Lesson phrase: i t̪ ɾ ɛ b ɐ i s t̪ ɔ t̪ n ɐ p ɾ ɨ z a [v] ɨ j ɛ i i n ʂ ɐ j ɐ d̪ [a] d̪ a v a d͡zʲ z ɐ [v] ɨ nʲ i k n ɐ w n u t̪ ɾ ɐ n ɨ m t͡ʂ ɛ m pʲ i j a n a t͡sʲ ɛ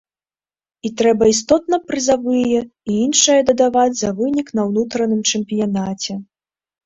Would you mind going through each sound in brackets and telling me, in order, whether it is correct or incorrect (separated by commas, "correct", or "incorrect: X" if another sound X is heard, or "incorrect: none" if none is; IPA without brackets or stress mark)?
correct, incorrect: ɐ, correct